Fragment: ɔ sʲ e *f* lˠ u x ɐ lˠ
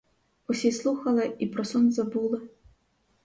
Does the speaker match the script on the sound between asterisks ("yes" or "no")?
no